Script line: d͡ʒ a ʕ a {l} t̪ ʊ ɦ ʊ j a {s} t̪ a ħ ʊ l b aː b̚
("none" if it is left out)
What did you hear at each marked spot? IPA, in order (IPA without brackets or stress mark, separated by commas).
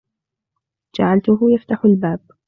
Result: l, f